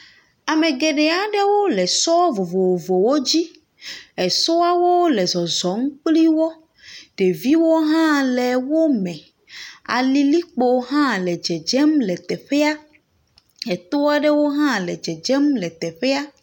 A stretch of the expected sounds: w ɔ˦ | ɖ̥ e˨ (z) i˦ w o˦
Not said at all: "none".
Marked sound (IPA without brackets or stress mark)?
v